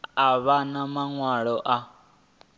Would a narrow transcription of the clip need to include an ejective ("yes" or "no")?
no